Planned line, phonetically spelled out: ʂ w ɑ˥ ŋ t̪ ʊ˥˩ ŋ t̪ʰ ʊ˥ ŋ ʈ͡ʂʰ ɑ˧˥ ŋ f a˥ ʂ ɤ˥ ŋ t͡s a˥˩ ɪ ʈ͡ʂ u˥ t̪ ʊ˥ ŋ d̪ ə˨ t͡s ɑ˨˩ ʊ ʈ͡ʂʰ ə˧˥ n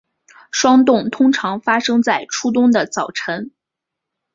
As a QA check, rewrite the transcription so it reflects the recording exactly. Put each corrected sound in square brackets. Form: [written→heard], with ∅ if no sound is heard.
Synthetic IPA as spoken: ʂ w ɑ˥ ŋ t̪ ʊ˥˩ ŋ t̪ʰ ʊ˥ ŋ ʈ͡ʂʰ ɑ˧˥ ŋ f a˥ ʂ ɤ˥ ŋ t͡s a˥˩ ɪ [ʈ͡ʂ→ʈ͡ʂʰ] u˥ t̪ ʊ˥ ŋ d̪ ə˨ t͡s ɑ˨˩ ʊ ʈ͡ʂʰ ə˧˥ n

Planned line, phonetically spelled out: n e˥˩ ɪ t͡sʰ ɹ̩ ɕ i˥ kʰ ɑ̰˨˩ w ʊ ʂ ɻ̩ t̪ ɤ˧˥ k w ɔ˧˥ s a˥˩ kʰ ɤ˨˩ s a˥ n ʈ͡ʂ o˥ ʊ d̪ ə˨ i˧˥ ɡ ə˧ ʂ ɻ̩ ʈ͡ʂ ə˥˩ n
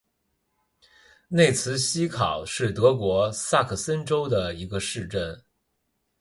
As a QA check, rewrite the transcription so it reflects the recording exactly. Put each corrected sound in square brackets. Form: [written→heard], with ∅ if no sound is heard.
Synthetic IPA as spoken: n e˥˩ ɪ t͡sʰ ɹ̩ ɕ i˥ kʰ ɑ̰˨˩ [w→∅] ʊ ʂ ɻ̩ t̪ ɤ˧˥ k w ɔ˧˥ s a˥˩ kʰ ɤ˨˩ s [a˥→ə˥] n ʈ͡ʂ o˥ ʊ d̪ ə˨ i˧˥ ɡ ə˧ ʂ ɻ̩ ʈ͡ʂ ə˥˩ n

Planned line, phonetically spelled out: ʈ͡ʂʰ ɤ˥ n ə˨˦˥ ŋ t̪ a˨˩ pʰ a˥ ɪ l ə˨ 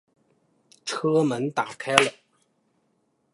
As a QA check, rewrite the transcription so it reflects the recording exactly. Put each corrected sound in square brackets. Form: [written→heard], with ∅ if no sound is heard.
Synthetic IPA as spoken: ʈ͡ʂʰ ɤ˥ [n→m] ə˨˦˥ [ŋ→n] t̪ a˨˩ [pʰ→kʰ] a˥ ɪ l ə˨

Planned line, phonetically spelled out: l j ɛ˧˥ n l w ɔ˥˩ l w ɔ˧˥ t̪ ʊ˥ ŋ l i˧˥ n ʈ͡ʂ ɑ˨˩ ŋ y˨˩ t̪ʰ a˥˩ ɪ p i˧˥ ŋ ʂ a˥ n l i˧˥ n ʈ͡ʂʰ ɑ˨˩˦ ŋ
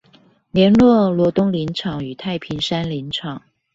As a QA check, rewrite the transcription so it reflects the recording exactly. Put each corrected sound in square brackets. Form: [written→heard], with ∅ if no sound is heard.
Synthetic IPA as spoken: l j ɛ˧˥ n l w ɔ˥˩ l w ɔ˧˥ t̪ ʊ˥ ŋ l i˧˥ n [ʈ͡ʂ→ʈ͡ʂʰ] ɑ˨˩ ŋ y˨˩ t̪ʰ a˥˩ ɪ [p→pʰ] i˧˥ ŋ ʂ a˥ n l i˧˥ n ʈ͡ʂʰ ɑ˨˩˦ ŋ

